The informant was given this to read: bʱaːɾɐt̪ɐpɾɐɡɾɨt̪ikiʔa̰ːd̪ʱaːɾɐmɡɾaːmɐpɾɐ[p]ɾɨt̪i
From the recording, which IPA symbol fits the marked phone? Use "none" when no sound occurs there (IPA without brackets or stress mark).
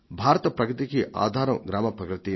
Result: k